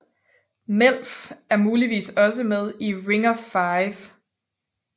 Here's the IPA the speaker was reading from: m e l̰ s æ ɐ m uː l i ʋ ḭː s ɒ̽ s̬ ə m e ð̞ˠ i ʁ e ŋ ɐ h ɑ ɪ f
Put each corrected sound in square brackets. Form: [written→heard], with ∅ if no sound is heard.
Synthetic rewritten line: m e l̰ [s→f] æ ɐ m uː l i ʋ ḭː s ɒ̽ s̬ ə m e ð̞ˠ i ʁ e ŋ ɐ [h→f] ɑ ɪ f